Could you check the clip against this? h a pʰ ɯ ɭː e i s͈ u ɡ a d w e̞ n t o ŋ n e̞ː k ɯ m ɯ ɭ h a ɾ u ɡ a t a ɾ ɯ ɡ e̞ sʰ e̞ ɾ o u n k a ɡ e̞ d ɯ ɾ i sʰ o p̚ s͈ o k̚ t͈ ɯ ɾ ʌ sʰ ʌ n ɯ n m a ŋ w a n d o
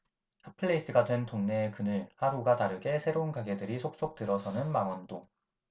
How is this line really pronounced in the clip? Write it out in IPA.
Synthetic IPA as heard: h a pʰ ɯ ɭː e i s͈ ɯ ɡ a d w e̞ n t o ŋ n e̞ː k ɯ n ɯ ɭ h a ɾ u ɡ a t a ɾ ɯ ɡ e̞ sʰ e̞ ɾ o u n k a ɡ e̞ d ɯ ɾ i sʰ o k̚ s͈ o k̚ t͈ ɯ ɾ ʌ sʰ ʌ n ɯ n m a ŋ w ʌ n d o

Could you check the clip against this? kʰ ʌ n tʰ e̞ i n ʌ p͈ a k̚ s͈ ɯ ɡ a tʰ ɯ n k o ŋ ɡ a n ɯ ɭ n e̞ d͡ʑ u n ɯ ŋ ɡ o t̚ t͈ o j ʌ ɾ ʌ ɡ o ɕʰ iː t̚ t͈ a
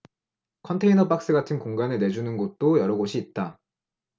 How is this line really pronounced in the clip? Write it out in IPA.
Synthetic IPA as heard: kʰ ʌ n tʰ e̞ i n ʌ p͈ a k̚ s͈ ɯ ɡ a tʰ ɯ n k o ŋ ɡ a n ɯ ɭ n e̞ d͡ʑ u n ɯ n ɡ o t̚ t͈ o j ʌ ɾ ʌ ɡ o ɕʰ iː t̚ t͈ a

